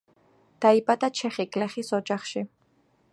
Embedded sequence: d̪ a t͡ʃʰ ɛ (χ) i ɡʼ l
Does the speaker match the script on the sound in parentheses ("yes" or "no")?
yes